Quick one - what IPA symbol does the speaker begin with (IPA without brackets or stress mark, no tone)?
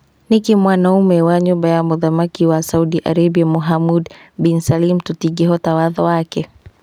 n